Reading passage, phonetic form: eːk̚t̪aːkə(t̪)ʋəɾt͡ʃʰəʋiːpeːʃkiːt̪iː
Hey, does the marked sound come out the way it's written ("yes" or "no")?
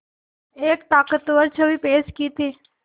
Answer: yes